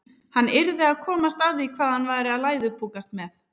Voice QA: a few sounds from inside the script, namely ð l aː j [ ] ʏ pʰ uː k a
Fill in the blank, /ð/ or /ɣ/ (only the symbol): ð